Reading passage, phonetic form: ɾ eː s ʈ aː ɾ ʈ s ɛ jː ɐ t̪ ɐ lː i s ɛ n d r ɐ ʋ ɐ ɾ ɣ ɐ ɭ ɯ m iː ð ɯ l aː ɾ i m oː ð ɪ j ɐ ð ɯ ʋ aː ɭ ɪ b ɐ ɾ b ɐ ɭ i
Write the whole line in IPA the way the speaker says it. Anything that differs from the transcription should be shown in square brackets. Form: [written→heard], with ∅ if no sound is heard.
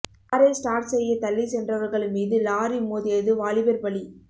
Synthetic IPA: ɾ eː s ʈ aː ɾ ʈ s ɛ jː ɐ t̪ ɐ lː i s ɛ n d r ɐ ʋ ɐ ɾ ɣ ɐ ɭ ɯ m iː ð ɯ l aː ɾ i m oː ð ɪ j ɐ ð ɯ ʋ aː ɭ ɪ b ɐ ɾ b ɐ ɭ i